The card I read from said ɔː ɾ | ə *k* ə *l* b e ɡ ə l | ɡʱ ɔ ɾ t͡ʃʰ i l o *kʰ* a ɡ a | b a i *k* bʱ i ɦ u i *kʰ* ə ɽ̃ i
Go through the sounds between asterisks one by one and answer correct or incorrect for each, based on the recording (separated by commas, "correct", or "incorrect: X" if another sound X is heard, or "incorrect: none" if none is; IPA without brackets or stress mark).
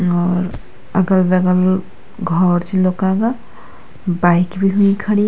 incorrect: ɡ, correct, incorrect: k, correct, correct